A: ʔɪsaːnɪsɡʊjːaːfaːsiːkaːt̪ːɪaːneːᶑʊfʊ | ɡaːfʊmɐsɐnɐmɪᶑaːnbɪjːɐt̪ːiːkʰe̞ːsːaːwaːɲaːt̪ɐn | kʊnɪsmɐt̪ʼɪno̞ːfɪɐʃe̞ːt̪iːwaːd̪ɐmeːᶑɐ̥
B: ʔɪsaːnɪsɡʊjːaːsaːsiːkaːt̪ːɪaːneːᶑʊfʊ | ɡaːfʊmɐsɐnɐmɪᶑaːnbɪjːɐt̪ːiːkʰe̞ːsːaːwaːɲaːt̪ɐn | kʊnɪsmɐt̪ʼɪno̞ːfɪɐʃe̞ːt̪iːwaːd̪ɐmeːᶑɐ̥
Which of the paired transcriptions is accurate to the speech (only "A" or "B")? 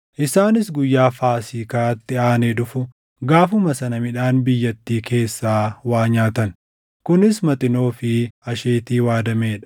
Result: A